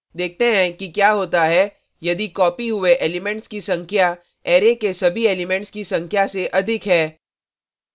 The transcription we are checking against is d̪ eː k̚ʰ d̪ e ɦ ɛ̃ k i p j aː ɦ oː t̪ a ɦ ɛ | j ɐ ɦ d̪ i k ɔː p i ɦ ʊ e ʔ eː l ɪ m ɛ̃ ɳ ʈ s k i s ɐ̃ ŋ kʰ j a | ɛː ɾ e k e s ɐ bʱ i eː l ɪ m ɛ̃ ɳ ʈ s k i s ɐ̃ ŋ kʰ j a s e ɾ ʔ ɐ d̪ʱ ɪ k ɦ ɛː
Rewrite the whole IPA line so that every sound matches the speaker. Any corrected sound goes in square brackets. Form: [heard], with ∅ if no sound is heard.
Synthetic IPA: d̪ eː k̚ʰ [t̪] e ɦ ɛ̃ k i [k] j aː ɦ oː t̪ a ɦ ɛ | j ɐ [∅] d̪ i k ɔː p i ɦ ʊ e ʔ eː l ɪ m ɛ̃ ɳ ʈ s k i s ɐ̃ ŋ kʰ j a | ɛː ɾ e k e s ɐ bʱ i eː l ɪ m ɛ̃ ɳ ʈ s k i s ɐ̃ ŋ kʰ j a s e [∅] ʔ ɐ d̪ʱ ɪ k ɦ ɛː